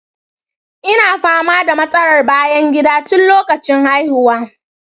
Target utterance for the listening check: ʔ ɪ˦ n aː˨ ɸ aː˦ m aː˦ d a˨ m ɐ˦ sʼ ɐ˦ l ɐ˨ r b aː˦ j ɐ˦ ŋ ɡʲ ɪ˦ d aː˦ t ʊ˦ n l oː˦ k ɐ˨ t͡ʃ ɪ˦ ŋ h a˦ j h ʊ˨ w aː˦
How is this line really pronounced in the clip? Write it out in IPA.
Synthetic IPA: ʔ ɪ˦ n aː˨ ɸ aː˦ m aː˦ d a˨ m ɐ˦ sʼ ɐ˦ ɽ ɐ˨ r b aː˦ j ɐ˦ ŋ ɡʲ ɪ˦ d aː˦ t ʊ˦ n l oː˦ k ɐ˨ t͡ʃ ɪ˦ ŋ h a˦ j h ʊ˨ w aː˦